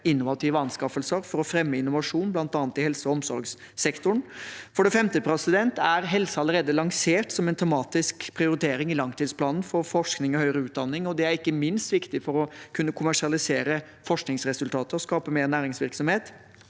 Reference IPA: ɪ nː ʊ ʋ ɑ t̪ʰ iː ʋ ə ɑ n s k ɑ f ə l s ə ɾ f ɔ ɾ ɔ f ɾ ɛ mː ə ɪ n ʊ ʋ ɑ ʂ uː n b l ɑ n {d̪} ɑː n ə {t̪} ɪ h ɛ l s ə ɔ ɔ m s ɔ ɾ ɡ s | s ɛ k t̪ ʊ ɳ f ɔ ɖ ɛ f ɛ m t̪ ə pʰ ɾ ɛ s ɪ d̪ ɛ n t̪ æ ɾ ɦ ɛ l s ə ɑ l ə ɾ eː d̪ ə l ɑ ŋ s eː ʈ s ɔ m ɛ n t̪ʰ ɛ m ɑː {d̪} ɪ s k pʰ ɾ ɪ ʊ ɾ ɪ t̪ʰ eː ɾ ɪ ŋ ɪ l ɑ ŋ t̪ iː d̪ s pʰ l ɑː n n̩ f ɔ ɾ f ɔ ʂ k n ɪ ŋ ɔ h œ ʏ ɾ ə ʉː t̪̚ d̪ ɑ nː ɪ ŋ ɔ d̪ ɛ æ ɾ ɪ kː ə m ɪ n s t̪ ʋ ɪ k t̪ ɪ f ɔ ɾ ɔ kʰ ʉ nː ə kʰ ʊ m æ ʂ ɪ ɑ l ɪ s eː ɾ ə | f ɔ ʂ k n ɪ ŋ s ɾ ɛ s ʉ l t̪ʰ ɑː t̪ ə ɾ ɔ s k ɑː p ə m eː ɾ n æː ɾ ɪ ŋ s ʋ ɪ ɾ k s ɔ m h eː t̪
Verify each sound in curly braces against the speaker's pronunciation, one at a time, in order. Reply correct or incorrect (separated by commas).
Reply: incorrect, correct, incorrect